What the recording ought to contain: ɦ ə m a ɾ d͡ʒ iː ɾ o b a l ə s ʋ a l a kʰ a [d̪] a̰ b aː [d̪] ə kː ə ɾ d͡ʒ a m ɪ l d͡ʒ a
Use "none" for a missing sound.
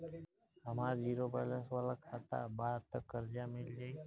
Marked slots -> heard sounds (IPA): t̪, t̪

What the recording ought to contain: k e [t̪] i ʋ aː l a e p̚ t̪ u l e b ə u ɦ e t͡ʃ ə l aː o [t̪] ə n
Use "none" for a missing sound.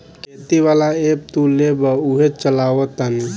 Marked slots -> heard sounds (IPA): t̪, t̪

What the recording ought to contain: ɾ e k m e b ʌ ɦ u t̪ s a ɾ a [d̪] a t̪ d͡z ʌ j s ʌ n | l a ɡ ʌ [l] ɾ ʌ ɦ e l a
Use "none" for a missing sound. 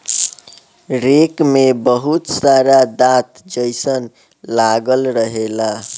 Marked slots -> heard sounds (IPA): d̪, l

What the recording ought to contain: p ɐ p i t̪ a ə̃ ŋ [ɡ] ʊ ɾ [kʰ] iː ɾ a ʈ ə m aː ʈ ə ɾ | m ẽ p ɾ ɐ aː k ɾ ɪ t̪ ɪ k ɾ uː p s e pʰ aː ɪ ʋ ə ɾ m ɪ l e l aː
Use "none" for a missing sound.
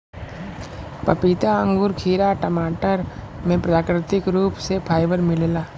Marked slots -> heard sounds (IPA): ɡ, kʰ

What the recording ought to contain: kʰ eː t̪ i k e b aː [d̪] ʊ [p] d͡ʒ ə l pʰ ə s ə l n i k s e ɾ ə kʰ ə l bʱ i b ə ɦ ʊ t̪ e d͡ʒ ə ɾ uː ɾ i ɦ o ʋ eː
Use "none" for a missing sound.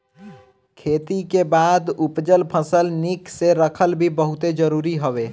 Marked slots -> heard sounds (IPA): d̪, p

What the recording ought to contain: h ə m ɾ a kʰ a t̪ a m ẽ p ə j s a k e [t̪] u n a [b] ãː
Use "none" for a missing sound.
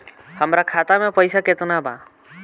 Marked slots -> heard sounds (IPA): t̪, b

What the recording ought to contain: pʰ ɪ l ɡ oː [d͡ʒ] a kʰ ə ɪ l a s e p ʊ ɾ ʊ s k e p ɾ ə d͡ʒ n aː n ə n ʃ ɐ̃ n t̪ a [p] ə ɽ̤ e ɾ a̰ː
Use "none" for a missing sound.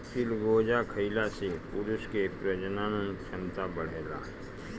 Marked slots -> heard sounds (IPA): d͡ʒ, b

